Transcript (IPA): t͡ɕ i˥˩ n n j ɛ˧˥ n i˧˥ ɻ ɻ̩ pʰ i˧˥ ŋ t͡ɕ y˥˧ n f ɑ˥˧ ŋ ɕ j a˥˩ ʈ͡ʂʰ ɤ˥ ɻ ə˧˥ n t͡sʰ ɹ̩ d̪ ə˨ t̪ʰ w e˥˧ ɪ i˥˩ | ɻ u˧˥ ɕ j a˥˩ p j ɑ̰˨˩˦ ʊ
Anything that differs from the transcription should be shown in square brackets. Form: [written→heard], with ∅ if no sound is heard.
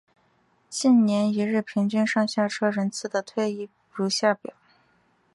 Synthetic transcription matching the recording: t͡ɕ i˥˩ n n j ɛ˧˥ n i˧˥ ɻ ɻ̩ pʰ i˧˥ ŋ t͡ɕ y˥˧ n [f→ʂ] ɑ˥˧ ŋ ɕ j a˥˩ ʈ͡ʂʰ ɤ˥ ɻ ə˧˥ n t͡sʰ ɹ̩ d̪ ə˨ t̪ʰ w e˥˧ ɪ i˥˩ | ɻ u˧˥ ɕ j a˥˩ p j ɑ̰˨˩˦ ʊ